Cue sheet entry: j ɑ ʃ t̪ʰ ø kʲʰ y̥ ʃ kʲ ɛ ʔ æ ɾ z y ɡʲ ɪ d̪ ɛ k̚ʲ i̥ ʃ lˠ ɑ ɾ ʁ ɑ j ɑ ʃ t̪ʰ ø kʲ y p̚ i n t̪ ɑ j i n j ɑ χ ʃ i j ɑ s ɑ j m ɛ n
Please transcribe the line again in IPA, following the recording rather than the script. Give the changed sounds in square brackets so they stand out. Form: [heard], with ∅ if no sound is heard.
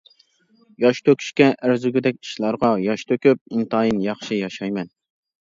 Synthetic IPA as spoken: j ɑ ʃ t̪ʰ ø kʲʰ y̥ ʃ kʲ ɛ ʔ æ ɾ z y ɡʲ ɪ d̪ ɛ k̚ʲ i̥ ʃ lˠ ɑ ɾ ʁ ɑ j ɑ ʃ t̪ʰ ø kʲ y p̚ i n t̪ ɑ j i n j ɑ χ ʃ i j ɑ [ʃ] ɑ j m ɛ n